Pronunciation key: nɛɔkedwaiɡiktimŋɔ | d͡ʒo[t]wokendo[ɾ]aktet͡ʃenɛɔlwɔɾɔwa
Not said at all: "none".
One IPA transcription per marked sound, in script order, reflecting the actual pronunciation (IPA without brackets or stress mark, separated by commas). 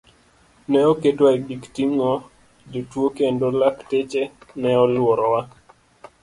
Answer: t, l